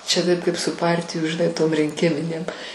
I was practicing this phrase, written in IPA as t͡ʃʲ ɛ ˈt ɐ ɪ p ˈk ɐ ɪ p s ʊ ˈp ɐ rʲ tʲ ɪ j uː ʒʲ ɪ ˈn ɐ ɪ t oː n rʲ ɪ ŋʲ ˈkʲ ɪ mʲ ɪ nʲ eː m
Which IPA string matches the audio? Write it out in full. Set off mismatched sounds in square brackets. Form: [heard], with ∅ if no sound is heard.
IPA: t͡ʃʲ ɛ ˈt ɐ ɪ p ˈk ɐ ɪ p s ʊ ˈp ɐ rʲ tʲ ɪ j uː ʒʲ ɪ ˈn ɐ ɪ t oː [m] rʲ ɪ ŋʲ ˈkʲ ɪ mʲ ɪ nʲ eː m